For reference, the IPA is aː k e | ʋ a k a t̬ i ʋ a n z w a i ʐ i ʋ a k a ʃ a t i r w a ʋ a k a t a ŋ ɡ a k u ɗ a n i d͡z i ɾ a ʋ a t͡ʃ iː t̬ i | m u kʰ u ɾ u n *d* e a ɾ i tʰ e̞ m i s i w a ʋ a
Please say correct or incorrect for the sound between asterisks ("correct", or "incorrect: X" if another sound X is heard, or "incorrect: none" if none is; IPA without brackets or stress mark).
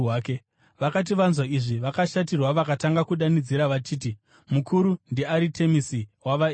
correct